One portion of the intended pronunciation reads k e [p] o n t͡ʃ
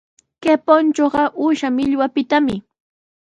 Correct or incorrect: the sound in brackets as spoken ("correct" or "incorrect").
correct